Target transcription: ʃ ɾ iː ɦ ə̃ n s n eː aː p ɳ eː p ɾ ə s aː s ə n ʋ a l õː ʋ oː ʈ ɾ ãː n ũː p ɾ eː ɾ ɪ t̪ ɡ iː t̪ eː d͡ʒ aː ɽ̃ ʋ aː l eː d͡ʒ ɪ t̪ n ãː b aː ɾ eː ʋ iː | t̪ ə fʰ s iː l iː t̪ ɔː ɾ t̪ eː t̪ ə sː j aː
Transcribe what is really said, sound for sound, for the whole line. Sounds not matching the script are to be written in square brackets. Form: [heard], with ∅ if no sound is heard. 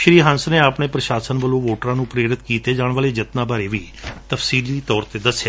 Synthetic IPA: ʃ ɾ iː ɦ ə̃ n s n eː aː p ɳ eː p ɾ ə [ʃ] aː s ə n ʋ [ə] l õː ʋ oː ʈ ɾ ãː n ũː p ɾ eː ɾ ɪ t̪ [k] iː t̪ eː d͡ʒ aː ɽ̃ ʋ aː l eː d͡ʒ ɪ t̪ n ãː b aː ɾ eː ʋ iː | t̪ ə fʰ s iː l iː t̪ ɔː ɾ t̪ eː [d̪] ə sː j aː